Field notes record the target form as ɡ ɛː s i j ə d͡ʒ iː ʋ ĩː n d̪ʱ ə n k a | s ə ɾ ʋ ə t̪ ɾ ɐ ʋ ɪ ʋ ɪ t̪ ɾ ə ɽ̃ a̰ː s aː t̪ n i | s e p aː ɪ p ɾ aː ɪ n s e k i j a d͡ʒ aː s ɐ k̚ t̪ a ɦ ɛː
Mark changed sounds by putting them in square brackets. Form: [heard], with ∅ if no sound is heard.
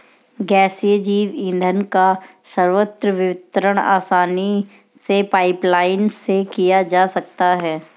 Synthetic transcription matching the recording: ɡ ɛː s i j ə d͡ʒ iː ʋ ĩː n d̪ʱ ə n k a | s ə ɾ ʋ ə t̪ ɾ [ə] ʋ ɪ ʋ ɪ t̪ ɾ ə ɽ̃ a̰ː s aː [∅] n i | s e p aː ɪ p [l] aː ɪ n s e k i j a d͡ʒ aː s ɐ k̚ t̪ a ɦ ɛː